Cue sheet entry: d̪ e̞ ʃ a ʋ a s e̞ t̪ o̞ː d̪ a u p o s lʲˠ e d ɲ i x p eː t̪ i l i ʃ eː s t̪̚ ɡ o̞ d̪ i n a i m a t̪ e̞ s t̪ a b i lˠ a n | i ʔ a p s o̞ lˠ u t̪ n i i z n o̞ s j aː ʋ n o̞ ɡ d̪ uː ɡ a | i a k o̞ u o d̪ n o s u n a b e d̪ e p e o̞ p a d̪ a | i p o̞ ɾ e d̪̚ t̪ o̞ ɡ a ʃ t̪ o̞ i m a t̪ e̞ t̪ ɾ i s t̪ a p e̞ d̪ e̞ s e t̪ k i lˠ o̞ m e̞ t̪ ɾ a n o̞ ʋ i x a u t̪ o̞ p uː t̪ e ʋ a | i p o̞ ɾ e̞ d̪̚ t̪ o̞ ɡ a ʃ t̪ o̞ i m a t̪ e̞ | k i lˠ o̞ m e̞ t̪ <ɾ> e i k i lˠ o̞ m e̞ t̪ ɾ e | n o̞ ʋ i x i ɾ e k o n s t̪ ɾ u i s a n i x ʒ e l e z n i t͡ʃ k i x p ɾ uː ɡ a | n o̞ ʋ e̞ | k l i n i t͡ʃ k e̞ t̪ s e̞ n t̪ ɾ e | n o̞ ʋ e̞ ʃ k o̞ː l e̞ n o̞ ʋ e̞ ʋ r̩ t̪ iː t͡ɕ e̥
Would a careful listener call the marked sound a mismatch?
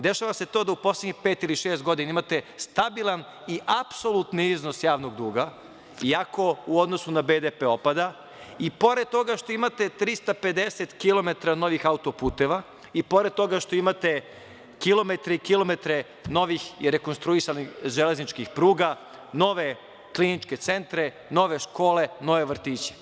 no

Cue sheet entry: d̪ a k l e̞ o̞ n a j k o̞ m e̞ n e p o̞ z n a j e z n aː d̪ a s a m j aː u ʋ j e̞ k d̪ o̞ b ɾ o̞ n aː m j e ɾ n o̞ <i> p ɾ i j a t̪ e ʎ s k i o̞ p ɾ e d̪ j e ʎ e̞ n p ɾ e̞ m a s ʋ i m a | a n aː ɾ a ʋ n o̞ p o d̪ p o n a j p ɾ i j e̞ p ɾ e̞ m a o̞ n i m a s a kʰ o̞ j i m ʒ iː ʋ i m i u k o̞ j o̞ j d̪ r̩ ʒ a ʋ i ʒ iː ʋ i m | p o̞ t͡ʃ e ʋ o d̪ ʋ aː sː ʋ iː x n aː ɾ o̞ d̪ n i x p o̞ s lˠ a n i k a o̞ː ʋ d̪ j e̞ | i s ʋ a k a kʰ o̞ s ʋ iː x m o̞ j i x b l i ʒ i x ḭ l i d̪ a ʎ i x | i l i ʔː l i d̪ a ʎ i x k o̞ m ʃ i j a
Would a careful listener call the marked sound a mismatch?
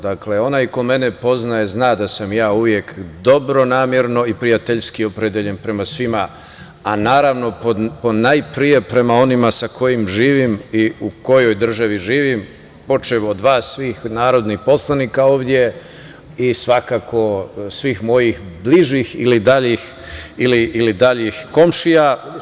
no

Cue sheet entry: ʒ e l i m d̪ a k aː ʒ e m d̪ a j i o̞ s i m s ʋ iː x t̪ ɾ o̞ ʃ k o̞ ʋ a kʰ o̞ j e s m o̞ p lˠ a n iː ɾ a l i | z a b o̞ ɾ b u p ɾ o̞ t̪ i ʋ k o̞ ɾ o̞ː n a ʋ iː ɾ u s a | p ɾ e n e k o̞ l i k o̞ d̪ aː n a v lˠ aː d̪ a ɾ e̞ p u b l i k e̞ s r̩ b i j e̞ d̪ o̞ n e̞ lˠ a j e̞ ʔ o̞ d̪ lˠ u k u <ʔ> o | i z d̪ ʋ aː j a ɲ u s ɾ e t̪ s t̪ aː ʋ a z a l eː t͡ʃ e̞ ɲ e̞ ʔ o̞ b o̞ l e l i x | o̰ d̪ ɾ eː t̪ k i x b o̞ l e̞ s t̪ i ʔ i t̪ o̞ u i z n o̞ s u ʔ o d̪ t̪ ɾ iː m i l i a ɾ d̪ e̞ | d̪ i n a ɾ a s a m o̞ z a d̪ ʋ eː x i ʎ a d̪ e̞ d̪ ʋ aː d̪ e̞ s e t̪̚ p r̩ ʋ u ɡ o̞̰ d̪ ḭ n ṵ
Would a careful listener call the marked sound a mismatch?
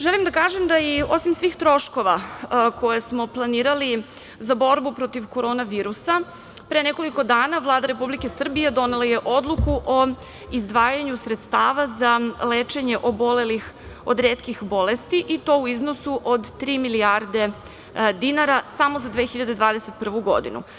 no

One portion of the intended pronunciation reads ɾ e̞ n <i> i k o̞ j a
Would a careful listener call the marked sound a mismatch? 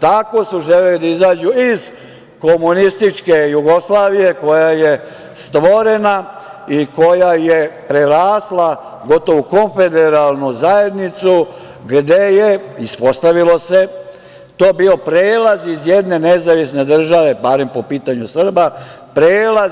yes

